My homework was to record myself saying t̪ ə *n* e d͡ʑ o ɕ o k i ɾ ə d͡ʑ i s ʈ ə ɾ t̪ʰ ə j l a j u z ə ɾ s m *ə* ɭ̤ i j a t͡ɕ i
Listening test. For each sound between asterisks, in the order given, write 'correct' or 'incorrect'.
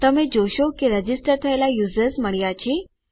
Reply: incorrect, correct

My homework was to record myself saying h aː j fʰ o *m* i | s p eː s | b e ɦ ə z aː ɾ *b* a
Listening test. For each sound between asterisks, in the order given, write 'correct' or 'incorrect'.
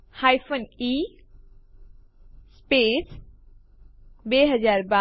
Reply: incorrect, correct

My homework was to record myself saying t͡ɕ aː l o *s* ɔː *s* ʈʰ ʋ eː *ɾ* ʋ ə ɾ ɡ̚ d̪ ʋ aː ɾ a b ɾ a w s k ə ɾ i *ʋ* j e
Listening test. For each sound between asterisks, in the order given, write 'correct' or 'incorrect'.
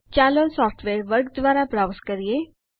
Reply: correct, incorrect, correct, incorrect

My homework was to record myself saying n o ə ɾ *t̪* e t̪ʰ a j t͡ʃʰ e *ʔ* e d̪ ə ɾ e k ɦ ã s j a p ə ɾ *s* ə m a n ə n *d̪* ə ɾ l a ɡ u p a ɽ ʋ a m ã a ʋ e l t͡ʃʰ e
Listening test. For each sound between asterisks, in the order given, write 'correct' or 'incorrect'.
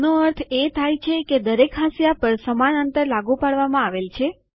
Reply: incorrect, incorrect, correct, incorrect

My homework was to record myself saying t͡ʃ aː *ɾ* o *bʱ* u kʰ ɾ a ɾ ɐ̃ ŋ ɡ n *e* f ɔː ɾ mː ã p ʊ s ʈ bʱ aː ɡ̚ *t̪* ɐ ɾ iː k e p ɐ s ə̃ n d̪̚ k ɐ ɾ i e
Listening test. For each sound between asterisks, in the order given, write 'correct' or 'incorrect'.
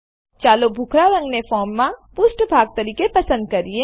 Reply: incorrect, correct, correct, correct

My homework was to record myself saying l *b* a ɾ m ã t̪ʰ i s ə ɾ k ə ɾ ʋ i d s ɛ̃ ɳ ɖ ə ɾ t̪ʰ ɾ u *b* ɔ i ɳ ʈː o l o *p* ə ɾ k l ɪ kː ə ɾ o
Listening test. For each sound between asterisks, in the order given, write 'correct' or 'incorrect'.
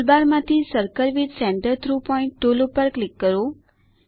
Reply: correct, incorrect, correct

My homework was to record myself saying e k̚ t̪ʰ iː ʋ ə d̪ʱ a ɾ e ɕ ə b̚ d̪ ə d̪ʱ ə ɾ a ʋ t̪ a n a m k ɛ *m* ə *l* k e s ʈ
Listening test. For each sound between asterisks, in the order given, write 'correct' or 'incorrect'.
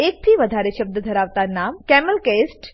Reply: correct, correct

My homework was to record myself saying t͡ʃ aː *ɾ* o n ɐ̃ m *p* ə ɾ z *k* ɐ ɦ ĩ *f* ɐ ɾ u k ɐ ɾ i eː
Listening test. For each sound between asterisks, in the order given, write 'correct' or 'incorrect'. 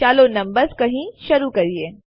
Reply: incorrect, incorrect, correct, incorrect

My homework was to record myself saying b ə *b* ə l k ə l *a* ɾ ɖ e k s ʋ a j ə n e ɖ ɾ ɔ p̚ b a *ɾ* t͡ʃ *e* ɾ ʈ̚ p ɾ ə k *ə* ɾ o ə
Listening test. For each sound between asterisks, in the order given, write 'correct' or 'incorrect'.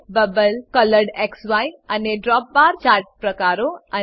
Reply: correct, incorrect, correct, incorrect, incorrect

